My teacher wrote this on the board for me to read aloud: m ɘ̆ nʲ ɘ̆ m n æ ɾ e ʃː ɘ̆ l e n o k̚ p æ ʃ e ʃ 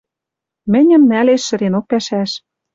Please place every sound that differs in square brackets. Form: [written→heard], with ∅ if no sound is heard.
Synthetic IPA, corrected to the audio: m ɘ̆ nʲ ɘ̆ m n æ [ɾ→l] e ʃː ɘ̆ [l→ɾ] e n o k̚ p æ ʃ [e→æ] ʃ